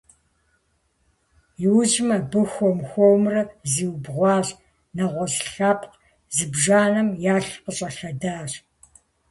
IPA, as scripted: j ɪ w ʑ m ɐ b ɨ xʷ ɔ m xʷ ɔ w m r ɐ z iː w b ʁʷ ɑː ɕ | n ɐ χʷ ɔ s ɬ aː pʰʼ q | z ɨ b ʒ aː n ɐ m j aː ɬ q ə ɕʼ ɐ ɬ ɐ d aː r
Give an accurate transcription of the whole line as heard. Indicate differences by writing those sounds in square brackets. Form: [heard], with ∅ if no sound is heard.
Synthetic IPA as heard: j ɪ w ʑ m ɐ b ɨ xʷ ɔ m xʷ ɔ w m r ɐ z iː w b ʁʷ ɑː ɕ | n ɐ [ʁʷ] ɔ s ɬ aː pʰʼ q | z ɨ b ʒ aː n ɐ m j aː ɬ q ə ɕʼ ɐ ɬ ɐ d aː r